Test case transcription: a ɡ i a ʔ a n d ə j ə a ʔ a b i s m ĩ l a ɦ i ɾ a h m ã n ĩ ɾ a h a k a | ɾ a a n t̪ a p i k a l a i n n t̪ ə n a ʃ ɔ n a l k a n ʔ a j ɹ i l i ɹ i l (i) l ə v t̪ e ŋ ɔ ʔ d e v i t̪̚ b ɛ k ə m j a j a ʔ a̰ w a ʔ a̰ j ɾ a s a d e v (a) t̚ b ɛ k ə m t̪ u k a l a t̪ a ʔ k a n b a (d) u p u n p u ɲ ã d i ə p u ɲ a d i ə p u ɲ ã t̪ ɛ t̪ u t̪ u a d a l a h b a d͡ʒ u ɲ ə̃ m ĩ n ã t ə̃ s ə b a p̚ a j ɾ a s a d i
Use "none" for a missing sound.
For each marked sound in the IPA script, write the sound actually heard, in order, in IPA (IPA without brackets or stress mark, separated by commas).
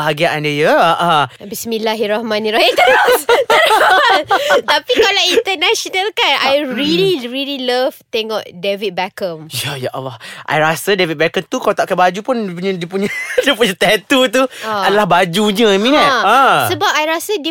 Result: i, i, d͡ʒ